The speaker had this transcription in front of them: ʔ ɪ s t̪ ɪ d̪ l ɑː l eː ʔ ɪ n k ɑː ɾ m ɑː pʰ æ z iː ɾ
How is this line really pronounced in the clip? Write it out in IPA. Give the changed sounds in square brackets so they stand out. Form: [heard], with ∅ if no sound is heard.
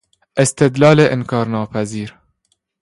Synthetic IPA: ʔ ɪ s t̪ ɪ d̪ l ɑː l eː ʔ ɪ n k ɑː ɾ [n] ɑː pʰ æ z iː ɾ